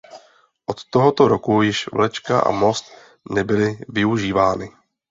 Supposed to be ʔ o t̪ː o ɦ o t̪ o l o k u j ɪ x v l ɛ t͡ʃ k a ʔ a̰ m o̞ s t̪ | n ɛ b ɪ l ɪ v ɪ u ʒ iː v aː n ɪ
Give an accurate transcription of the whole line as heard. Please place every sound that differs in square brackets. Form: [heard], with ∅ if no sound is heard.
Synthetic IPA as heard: ʔ o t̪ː o ɦ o t̪ o [ɾ] o k u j ɪ [ʃ] v l ɛ t͡ʃ k a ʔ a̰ m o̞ s t̪ | n ɛ b ɪ l ɪ v ɪ u ʒ iː v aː n ɪ